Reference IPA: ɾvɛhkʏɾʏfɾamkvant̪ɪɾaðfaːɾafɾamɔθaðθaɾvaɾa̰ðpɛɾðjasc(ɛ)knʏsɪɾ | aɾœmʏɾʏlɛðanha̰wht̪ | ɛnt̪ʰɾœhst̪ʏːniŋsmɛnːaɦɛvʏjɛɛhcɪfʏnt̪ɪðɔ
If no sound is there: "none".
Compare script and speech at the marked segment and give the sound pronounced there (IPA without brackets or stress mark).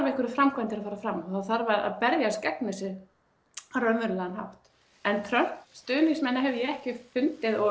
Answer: ɛ